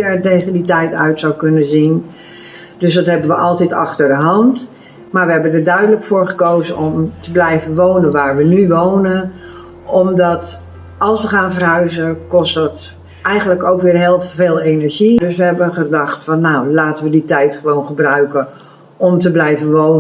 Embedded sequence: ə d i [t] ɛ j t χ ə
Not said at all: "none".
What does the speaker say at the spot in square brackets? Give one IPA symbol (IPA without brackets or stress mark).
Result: t